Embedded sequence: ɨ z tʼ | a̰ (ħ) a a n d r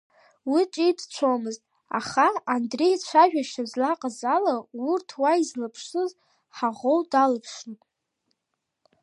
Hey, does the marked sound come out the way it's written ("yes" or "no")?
no